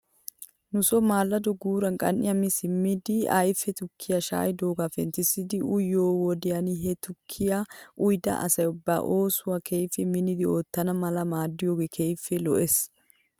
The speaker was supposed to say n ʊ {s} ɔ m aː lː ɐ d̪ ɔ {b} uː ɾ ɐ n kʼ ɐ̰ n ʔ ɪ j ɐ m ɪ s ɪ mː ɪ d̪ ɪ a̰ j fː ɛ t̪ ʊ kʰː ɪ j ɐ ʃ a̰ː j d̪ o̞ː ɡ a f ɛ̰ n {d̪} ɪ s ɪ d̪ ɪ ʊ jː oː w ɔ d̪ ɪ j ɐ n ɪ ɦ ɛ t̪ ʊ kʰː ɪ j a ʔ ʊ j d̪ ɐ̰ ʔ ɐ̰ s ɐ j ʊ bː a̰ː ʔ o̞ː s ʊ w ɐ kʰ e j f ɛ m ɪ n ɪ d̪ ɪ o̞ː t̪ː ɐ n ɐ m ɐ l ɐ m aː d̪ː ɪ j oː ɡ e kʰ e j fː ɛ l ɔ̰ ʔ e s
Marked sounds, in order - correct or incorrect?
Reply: correct, incorrect: ɡ, incorrect: t̪

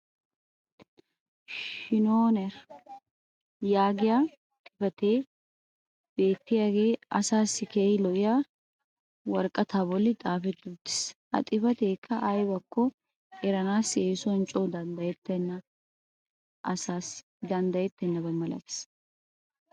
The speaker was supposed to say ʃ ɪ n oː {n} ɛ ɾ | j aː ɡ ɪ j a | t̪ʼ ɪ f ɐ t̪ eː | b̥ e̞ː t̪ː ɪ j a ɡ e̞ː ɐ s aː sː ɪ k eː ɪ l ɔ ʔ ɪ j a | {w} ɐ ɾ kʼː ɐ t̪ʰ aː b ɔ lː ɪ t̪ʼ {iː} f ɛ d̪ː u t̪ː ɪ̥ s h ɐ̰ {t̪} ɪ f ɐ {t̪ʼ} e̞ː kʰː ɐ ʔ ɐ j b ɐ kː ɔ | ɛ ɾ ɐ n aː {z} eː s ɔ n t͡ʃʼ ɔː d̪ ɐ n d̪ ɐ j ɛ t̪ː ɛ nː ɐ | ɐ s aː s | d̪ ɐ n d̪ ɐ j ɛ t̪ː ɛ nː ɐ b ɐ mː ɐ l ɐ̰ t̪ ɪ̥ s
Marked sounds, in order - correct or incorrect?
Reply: correct, correct, incorrect: aː, incorrect: t̪ʼ, incorrect: t̪, incorrect: s

